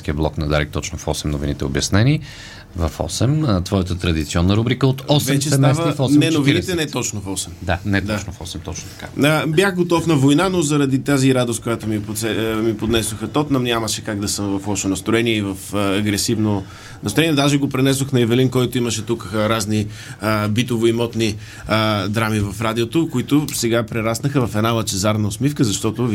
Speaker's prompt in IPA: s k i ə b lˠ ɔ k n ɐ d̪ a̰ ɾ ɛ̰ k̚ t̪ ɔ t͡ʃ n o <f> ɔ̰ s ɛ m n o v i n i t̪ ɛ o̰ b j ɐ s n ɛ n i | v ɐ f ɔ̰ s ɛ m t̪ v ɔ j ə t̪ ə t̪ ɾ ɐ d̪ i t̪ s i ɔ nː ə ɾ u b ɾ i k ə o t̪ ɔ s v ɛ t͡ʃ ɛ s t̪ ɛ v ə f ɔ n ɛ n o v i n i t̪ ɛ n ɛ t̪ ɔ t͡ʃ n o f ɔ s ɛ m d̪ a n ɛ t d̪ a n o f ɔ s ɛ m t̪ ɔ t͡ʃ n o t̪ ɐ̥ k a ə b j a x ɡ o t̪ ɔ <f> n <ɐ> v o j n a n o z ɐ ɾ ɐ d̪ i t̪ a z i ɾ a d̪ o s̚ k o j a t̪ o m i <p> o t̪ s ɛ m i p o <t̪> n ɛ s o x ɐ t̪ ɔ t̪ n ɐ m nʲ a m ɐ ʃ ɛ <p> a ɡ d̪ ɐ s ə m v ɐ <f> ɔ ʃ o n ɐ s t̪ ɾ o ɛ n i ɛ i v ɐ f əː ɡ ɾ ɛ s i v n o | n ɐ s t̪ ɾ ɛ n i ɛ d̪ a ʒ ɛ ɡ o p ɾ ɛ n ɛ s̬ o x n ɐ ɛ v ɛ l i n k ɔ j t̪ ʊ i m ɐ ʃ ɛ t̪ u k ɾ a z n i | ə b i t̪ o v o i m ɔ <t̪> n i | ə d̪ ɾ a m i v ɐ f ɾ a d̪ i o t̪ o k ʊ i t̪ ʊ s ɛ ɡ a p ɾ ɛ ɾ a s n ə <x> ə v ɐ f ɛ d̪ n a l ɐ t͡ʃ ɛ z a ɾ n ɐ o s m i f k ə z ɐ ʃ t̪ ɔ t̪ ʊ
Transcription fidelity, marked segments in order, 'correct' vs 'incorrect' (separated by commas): correct, correct, correct, correct, incorrect, incorrect, correct, correct, correct